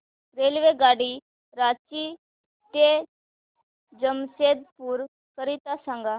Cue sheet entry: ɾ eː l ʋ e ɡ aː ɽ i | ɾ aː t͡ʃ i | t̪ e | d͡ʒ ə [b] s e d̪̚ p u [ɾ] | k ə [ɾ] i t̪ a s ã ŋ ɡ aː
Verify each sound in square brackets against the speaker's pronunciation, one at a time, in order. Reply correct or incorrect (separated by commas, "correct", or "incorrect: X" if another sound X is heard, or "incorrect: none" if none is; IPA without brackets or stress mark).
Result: incorrect: m, correct, correct